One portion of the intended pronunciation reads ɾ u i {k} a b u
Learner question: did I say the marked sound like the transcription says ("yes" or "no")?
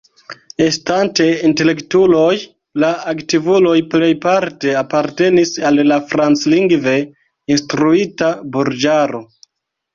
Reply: no